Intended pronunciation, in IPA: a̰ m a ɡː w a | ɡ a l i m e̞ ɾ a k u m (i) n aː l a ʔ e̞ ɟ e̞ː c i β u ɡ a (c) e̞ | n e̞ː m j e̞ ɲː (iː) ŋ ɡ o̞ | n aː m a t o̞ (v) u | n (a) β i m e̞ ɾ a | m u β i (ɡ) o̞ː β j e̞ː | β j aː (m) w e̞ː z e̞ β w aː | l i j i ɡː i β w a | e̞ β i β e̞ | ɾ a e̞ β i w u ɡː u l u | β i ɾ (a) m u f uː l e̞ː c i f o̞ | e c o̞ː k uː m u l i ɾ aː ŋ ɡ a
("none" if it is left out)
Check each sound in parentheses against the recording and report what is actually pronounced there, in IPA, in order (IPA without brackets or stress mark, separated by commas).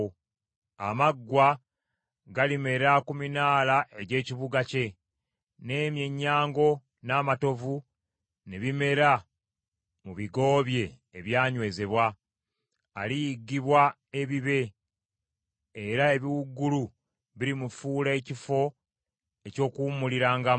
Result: i, c, aː, v, e, ɡ, ɲ, i